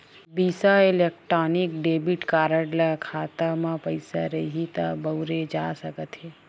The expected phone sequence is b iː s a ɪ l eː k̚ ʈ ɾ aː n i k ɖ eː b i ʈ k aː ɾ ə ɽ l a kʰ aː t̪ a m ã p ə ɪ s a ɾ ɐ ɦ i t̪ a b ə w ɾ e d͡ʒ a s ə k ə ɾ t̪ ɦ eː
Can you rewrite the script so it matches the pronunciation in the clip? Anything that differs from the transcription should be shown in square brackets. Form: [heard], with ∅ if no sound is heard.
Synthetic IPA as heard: b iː s a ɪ l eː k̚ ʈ ɾ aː n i k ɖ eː b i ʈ k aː ɾ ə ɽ l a kʰ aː t̪ a m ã p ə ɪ s a ɾ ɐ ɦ i t̪ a b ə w ɾ e d͡ʒ a s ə k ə [∅] t̪ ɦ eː